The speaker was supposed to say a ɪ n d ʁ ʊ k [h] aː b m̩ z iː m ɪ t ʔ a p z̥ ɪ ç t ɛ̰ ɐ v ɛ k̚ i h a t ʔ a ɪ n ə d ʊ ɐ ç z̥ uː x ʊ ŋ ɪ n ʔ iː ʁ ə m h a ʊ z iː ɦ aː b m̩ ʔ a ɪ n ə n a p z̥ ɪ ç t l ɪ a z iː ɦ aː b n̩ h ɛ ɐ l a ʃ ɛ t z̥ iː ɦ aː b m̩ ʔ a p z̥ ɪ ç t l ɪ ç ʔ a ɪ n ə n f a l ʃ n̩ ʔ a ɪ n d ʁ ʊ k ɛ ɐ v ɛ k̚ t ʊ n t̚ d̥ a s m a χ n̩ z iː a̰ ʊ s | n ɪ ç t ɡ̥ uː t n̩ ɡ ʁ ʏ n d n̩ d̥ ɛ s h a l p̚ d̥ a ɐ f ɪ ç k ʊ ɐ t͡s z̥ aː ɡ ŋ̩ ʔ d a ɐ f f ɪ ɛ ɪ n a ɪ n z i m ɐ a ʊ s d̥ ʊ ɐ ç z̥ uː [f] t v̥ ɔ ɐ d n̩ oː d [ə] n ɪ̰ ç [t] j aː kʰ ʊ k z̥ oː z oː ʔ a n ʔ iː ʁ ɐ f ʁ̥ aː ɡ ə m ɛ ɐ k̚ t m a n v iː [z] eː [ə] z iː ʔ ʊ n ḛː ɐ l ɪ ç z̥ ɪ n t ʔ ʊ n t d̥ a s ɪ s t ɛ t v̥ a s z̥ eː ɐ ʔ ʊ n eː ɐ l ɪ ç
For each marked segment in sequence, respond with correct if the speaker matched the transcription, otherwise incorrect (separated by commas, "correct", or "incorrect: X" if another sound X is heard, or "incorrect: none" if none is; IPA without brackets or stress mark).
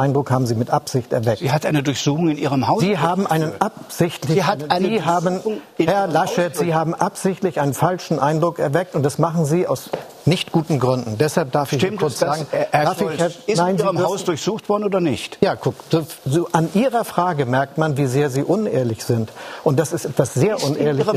correct, incorrect: x, incorrect: ɐ, correct, correct, incorrect: ɐ